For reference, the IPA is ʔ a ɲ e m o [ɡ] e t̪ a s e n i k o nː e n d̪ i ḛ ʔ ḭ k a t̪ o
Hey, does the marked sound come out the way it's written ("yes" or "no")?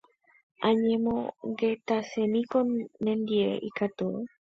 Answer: yes